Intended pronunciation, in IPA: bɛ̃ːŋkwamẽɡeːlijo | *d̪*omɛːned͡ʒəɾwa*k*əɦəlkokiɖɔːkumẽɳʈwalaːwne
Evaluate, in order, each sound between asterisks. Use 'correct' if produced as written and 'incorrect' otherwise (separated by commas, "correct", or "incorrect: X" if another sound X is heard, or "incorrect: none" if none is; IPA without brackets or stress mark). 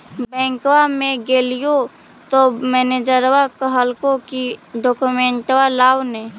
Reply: incorrect: t̪, correct